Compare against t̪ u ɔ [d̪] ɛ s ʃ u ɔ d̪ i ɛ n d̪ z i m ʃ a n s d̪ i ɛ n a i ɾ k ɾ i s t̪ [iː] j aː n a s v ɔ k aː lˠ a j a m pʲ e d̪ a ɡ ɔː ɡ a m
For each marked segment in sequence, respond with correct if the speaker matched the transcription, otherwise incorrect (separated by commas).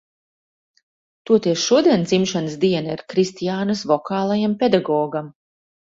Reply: incorrect, incorrect